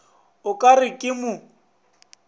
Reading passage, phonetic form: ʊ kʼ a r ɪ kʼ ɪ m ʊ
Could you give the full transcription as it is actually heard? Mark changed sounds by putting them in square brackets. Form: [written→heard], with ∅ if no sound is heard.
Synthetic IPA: ʊ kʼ a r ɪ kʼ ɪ m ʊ